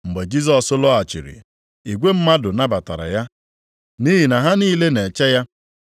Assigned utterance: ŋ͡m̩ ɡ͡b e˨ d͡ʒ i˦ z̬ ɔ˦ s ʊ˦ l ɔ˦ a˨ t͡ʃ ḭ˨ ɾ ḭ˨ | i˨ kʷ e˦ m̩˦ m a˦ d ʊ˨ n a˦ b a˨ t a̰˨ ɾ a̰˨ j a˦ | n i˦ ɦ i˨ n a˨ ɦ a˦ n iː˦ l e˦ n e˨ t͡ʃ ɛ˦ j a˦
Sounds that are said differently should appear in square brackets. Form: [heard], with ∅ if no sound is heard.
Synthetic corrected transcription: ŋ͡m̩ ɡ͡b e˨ d͡ʒ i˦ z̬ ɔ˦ s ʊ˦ l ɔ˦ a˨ t͡ʃ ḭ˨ ɾ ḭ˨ | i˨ [ɡʷ] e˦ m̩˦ m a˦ d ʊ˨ n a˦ b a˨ t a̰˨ ɾ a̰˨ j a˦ | n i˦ ɦ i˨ n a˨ ɦ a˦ n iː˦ l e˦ n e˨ t͡ʃ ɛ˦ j a˦